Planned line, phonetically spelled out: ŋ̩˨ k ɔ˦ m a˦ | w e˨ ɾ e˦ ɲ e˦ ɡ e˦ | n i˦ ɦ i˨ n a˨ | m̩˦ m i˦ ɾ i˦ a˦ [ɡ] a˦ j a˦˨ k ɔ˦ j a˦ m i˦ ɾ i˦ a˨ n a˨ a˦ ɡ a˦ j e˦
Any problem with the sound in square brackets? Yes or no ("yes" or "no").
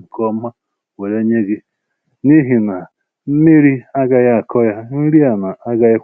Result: no